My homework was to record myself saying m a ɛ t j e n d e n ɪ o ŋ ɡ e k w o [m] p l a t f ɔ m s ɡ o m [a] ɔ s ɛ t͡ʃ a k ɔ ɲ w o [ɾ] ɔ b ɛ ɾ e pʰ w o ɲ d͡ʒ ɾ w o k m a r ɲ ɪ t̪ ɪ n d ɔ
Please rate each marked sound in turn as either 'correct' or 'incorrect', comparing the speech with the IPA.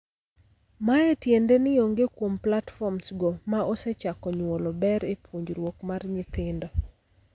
correct, correct, incorrect: l

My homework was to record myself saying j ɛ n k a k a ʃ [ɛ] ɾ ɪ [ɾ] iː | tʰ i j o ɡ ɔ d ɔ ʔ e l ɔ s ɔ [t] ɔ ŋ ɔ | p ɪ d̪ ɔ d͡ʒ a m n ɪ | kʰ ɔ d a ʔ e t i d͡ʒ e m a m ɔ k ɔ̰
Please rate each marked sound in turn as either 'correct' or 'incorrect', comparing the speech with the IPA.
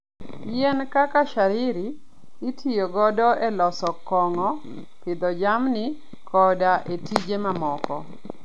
incorrect: a, correct, incorrect: k

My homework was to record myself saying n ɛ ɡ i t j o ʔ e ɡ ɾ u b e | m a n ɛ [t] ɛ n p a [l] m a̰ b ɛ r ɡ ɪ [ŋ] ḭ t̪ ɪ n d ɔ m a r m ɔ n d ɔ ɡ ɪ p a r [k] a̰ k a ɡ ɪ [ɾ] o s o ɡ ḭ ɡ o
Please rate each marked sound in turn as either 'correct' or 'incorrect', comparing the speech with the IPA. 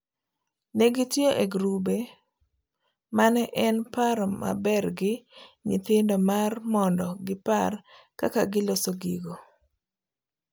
incorrect: ʔ, incorrect: ɾ, incorrect: ɲ, correct, incorrect: l

